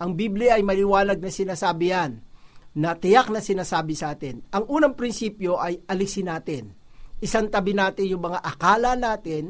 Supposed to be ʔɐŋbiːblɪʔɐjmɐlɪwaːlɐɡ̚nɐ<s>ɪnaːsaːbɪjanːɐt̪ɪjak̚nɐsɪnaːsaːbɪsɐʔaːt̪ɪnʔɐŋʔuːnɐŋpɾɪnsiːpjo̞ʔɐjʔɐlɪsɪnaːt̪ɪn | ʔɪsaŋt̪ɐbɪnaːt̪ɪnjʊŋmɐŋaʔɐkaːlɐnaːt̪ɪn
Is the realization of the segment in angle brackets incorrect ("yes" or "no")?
no